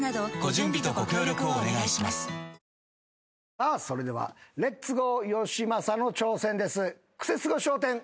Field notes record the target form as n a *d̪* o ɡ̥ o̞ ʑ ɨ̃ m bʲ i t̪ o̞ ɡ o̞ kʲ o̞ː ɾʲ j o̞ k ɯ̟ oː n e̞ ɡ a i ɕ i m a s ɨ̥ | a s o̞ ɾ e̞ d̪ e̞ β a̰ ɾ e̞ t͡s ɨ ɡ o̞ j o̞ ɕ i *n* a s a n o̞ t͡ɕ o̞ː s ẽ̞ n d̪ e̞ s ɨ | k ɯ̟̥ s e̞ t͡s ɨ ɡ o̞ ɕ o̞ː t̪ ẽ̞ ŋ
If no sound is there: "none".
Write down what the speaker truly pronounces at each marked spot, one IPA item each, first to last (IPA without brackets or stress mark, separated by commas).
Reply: d̪, m